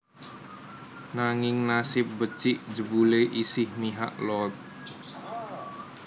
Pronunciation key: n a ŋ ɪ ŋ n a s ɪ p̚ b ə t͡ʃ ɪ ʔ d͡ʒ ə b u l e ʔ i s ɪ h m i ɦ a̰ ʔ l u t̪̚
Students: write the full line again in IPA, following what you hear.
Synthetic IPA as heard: n a ŋ ɪ ŋ n a s ɪ p̚ b ə t͡ʃ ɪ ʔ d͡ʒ ə b u l e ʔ i s ɪ h m i ɦ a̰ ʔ l ɔ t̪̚